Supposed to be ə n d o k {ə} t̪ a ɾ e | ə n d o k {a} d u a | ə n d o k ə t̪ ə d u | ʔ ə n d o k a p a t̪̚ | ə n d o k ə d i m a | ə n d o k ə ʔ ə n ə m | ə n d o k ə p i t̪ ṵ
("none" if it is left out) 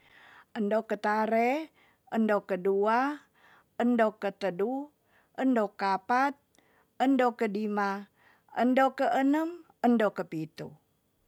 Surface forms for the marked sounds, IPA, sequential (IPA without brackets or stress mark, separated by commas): ə, ə